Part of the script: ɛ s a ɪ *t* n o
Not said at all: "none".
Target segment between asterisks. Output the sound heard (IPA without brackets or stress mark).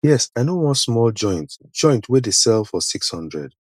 none